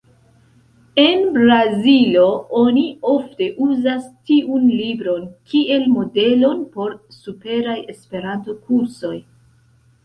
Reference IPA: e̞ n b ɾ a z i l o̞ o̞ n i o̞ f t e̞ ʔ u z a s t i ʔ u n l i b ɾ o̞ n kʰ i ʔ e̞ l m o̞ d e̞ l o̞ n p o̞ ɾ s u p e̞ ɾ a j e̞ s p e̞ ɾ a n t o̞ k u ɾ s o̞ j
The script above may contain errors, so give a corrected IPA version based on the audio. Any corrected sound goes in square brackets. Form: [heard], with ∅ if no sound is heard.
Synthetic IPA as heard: e̞ n b ɾ a z i l o̞ o̞ n i o̞ f t e̞ ʔ u z a s t i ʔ u n l i b ɾ o̞ n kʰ i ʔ e̞ l m o̞ d e̞ l o̞ n p o̞ ɾ s u p e̞ ɾ a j e̞ s p e̞ ɾ a n t o̞ k u ɾ s o̞ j